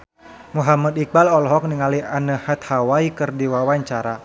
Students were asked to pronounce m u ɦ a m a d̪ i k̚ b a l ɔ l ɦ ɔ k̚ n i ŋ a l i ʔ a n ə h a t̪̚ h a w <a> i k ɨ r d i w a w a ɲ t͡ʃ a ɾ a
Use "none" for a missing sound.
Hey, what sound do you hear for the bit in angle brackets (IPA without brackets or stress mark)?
a